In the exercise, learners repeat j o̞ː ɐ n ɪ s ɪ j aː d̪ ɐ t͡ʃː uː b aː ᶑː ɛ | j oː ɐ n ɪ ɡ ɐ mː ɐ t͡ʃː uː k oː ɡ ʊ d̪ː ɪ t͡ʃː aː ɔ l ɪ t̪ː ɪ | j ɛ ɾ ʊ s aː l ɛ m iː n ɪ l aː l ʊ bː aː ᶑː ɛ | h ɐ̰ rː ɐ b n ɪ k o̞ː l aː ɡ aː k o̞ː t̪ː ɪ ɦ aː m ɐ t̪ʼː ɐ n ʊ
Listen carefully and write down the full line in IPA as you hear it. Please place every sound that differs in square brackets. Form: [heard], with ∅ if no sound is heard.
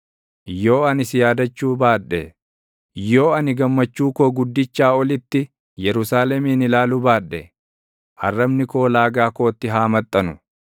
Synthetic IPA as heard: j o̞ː ɐ n ɪ s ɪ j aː d̪ ɐ t͡ʃː uː b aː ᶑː ɛ | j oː ɐ n ɪ ɡ ɐ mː ɐ t͡ʃː uː k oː ɡ ʊ d̪ː ɪ t͡ʃː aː ɔ l ɪ t̪ː ɪ | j ɛ ɾ ʊ s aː l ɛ m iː n ɪ l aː l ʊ [b] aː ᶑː ɛ | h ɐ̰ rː ɐ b n ɪ k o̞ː l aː ɡ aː k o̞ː t̪ː ɪ ɦ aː m ɐ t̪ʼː ɐ n ʊ